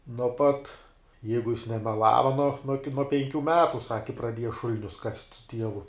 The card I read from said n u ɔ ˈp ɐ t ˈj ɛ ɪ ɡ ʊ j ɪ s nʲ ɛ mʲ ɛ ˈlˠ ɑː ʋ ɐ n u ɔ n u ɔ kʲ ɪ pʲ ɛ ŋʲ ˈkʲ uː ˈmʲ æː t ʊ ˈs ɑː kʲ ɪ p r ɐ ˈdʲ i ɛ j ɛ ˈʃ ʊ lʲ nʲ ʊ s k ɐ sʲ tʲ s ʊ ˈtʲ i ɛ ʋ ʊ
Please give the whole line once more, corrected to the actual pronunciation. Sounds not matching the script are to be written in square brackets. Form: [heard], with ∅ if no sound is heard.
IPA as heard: n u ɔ ˈp ɐ t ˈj ɛ ɪ ɡ ʊ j ɪ s nʲ ɛ mʲ ɛ ˈlˠ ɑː ʋ ɐ n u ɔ n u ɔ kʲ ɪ pʲ ɛ ŋʲ ˈkʲ uː ˈmʲ æː t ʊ ˈs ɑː kʲ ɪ p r ɐ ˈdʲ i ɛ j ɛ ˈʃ ʊ lʲ nʲ ʊ s k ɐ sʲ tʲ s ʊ ˈtʲ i ɛ ʋ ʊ

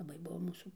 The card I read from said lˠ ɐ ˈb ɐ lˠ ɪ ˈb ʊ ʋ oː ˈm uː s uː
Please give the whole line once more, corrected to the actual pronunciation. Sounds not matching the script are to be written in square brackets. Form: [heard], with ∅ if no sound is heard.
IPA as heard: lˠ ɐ ˈb ɐ [∅] ɪ ˈb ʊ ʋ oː ˈm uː s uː

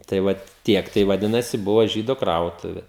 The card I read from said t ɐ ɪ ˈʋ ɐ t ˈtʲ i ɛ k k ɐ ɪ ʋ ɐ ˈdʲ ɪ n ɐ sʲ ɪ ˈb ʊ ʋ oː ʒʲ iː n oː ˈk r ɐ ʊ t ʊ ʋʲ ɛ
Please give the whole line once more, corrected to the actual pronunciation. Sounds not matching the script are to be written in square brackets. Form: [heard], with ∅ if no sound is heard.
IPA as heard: t ɐ ɪ ˈʋ ɐ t ˈtʲ i ɛ k [t] ɐ ɪ ʋ ɐ ˈdʲ ɪ n ɐ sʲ ɪ ˈb ʊ ʋ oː ʒʲ iː [d] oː ˈk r ɐ ʊ t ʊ ʋʲ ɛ

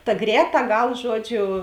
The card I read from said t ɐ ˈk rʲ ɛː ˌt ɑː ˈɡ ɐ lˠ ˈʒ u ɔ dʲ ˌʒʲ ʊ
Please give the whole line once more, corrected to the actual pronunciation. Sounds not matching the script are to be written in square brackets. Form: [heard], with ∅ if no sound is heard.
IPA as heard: t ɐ [ˈɡ] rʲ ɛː ˌt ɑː ˈɡ ɐ lˠ ˈʒ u ɔ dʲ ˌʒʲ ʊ

